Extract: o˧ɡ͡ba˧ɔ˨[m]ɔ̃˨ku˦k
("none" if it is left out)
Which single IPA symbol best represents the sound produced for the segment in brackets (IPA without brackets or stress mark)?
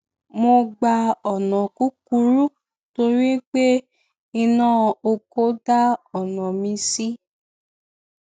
n